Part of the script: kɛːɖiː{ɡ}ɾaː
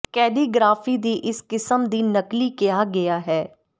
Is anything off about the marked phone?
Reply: no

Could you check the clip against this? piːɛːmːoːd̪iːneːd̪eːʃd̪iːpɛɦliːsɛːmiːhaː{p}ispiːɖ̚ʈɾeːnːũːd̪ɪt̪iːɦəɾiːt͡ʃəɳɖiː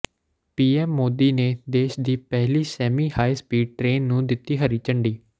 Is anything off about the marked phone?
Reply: yes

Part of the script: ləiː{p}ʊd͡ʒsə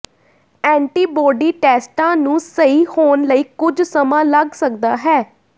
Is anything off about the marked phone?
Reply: yes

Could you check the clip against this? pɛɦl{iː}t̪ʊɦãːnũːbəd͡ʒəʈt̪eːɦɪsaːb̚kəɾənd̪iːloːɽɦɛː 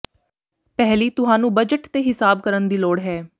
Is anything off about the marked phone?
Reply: no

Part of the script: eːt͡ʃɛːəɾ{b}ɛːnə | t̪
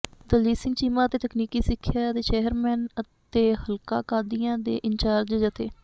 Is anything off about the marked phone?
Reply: yes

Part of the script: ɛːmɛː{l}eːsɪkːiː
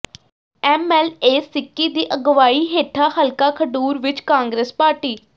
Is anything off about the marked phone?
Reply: no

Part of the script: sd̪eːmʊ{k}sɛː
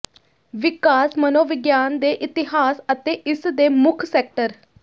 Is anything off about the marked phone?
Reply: yes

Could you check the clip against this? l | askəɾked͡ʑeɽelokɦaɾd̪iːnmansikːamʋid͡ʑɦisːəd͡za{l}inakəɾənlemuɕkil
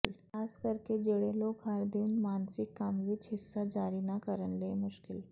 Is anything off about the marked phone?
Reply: yes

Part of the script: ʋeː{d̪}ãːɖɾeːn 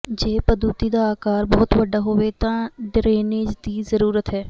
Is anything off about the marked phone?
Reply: yes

